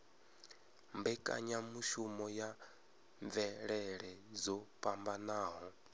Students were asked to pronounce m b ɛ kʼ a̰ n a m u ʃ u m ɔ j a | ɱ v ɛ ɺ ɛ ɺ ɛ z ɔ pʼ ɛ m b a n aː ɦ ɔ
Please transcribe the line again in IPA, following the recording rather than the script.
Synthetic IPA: m b ɛ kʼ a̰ ɲ a m u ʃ u m ɔ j a | ɱ v ɛ ɺ ɛ ɺ ɛ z ɔ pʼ a m b a n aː ɦ ɔ